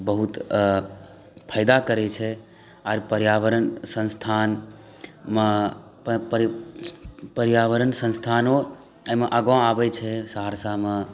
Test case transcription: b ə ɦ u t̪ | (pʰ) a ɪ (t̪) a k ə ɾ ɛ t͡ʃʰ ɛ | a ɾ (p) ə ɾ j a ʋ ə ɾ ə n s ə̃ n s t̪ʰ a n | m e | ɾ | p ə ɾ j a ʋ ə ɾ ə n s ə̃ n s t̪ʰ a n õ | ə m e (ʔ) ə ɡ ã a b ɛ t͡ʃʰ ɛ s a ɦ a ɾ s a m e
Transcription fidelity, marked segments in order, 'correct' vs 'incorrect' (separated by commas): correct, incorrect, correct, correct